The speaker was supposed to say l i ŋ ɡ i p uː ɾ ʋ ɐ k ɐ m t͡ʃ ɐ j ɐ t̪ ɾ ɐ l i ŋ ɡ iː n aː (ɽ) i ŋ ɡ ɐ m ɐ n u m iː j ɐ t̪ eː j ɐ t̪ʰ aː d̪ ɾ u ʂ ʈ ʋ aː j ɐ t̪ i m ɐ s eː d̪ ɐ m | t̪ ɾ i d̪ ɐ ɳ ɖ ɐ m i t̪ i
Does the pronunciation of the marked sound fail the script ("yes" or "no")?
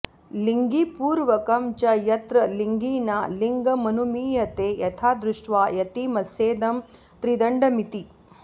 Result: yes